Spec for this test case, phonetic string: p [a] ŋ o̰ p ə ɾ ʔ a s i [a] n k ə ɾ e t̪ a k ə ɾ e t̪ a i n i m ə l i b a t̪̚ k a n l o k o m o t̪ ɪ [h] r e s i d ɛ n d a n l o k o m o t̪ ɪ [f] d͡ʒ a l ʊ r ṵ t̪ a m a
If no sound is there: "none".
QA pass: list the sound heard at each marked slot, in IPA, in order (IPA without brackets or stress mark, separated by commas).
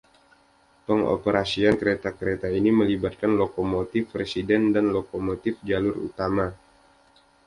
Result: ə, a, f, f